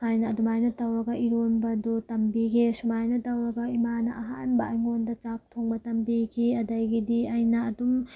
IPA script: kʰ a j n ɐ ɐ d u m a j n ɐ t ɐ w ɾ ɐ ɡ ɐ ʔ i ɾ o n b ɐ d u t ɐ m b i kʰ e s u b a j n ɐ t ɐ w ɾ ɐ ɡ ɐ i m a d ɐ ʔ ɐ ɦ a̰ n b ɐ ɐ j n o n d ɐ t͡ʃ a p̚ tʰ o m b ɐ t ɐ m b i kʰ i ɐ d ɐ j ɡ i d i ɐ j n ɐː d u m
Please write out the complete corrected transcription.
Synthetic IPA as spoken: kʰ a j n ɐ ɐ d u m a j n ɐ t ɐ w ɾ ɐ ɡ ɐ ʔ i ɾ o n b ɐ d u t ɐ m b i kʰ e s u m a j n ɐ t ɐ w ɾ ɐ ɡ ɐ i m a n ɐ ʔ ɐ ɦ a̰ n b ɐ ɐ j ŋ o n d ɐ t͡ʃ a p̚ tʰ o ŋ b ɐ t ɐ m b i kʰ i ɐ d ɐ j ɡ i d i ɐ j n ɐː d u m